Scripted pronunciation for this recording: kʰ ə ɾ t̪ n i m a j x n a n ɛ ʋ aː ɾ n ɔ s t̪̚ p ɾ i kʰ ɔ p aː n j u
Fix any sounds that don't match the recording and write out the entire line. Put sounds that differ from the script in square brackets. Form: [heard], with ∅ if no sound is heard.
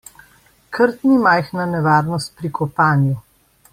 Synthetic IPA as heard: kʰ ə ɾ t̪ n i m a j x n a n ɛ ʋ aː ɾ n ɔ s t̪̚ p ɾ i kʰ ɔ p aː n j u